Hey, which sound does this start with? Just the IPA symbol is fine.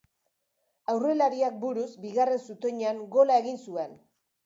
a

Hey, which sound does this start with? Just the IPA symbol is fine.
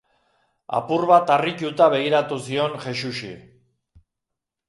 a̰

